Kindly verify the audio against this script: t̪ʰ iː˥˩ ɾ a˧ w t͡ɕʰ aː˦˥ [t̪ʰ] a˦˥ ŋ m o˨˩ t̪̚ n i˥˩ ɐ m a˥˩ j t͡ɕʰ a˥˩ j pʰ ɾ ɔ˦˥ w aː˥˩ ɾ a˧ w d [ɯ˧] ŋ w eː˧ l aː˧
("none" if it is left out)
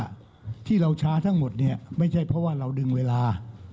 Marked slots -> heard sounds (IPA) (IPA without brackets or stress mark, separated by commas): t̪ʰ, ɯ˧